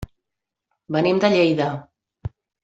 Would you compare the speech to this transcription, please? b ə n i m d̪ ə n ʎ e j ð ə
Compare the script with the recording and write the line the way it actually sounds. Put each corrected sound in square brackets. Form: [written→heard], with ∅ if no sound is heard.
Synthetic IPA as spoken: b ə n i m d̪ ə [n→∅] ʎ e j ð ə